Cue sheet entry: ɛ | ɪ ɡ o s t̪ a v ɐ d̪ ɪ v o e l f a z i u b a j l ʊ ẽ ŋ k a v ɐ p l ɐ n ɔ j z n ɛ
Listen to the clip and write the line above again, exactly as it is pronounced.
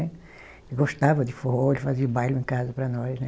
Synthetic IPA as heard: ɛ | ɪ ɡ o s t̪ a v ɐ d̪ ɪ f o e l f a z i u b a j l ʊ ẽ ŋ k a z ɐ p ɾ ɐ n ɔ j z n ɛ